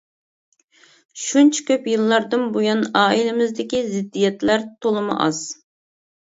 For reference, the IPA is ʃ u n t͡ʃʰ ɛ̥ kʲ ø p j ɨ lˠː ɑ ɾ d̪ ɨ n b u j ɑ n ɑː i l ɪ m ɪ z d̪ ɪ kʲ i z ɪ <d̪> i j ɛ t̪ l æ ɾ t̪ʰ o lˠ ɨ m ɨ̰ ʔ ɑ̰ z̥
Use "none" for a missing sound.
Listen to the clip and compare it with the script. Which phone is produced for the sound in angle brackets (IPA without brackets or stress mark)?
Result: d̪ː